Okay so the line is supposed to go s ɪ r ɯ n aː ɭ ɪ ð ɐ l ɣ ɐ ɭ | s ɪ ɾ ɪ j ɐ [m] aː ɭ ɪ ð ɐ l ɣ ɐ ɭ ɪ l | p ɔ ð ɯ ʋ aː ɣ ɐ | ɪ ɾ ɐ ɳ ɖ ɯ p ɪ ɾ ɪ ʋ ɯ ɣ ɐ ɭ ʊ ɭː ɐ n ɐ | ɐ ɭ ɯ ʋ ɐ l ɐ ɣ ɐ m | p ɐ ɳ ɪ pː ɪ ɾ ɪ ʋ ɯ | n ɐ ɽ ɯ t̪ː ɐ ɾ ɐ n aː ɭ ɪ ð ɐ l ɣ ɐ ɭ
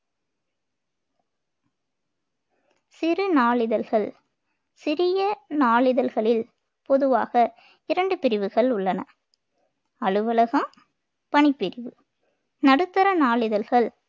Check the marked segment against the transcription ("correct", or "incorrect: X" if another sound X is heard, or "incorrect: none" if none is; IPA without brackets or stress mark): incorrect: n